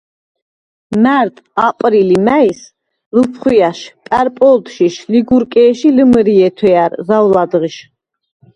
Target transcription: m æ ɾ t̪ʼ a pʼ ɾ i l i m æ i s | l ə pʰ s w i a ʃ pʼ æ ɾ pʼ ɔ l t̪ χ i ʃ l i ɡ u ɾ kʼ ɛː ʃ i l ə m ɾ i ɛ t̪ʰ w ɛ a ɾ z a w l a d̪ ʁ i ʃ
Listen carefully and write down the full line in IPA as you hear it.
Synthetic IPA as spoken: m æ ɾ t̪ʼ a pʼ ɾ i l i m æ i s | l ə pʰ χ w i a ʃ pʼ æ ɾ pʼ ɔ l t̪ ʃ i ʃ l i ɡ u ɾ kʼ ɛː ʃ i l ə m ɾ i ɛ t̪ʰ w ɛ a ɾ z a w l a d̪ ʁ i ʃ